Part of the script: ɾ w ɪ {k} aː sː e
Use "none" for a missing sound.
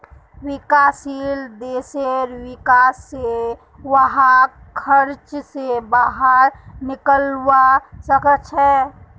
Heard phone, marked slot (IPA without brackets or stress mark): k